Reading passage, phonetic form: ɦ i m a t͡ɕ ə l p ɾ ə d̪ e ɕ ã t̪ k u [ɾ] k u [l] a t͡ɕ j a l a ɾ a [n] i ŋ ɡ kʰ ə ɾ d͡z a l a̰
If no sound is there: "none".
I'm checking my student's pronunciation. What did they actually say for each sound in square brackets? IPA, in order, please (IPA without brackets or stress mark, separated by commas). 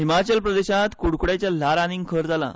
ɽ, ɽ, n